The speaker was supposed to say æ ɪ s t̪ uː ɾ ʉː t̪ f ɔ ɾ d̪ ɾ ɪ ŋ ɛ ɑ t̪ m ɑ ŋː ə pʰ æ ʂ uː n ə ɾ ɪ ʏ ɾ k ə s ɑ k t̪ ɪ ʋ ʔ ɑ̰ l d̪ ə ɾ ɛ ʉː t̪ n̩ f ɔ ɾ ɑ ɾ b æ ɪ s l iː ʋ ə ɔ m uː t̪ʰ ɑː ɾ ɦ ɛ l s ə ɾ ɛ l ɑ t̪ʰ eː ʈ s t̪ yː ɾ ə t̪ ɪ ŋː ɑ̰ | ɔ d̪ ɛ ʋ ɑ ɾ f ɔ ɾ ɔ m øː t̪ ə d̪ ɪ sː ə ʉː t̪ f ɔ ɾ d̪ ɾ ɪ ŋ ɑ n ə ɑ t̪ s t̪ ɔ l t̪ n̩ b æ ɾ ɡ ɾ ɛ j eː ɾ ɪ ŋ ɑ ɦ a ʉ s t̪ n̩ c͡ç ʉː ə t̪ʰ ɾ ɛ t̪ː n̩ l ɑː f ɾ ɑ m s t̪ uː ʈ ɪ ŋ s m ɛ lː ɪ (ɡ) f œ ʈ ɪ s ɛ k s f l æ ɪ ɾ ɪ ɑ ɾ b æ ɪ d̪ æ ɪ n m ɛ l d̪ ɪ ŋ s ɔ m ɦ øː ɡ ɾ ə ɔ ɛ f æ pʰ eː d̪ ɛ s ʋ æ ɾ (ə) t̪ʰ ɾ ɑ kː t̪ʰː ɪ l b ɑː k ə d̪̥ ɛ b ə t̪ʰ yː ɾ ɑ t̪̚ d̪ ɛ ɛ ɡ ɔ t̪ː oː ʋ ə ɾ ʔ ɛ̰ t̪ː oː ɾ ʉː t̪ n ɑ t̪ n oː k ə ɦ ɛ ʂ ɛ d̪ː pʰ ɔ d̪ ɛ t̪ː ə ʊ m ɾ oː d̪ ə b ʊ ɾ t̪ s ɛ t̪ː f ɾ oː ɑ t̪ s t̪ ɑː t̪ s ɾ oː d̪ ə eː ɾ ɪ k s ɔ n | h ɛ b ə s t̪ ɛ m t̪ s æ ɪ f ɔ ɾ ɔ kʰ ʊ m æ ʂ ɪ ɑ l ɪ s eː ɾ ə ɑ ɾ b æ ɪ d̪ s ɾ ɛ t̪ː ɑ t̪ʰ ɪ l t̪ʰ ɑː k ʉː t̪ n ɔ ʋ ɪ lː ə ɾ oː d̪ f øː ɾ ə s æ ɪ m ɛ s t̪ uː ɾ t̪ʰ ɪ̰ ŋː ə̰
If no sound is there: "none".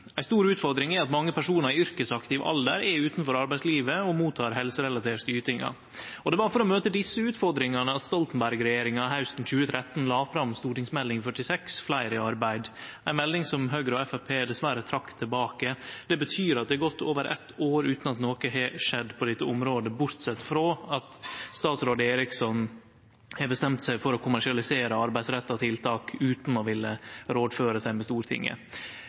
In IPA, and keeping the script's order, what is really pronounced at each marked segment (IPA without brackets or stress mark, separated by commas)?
ŋ, ə